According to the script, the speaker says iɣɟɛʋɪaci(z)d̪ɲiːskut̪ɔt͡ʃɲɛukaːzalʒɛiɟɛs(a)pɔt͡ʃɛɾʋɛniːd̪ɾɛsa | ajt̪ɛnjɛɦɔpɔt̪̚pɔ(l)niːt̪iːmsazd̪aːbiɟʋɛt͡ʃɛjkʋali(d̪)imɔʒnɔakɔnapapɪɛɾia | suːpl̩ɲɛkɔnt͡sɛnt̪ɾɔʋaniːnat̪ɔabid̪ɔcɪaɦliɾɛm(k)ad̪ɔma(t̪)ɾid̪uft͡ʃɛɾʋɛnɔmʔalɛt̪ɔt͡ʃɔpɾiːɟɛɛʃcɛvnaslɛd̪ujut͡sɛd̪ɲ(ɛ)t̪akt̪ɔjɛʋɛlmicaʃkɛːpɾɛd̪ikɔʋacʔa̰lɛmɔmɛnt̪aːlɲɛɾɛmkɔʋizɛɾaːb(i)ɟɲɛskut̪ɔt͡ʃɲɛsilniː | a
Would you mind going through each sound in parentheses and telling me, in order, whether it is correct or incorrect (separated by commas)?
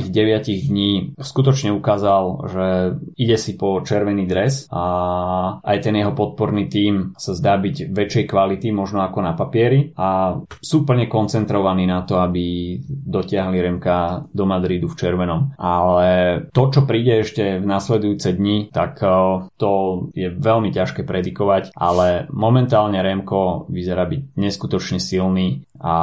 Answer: incorrect, incorrect, incorrect, incorrect, correct, incorrect, incorrect, correct